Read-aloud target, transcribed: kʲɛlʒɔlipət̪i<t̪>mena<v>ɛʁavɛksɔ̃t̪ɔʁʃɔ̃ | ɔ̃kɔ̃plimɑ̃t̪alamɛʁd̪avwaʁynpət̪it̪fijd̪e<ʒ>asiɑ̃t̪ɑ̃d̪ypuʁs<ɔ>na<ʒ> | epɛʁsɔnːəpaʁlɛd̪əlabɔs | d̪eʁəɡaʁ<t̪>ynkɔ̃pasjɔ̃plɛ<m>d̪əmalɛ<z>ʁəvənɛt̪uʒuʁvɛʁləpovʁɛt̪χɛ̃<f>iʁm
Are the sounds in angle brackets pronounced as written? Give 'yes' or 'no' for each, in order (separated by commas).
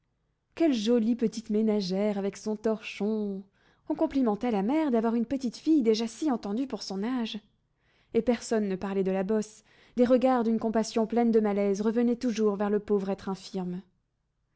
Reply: yes, no, yes, no, yes, no, no, yes, yes